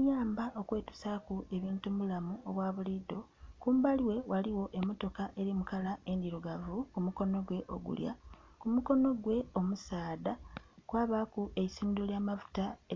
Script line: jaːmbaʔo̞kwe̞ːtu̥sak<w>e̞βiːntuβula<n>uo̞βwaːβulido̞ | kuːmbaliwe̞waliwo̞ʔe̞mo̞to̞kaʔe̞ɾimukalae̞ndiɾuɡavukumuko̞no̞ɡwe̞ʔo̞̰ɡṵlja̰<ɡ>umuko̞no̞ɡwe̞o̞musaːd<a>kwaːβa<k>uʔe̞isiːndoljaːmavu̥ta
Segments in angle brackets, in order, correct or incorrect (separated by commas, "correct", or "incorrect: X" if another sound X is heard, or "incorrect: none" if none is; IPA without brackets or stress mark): incorrect: u, incorrect: m, incorrect: k, correct, correct